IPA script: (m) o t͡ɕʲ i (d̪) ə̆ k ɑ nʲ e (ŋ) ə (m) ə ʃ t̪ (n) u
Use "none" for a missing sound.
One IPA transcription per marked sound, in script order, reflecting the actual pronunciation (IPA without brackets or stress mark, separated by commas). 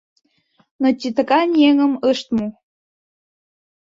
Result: n, t̪, ŋ, m, m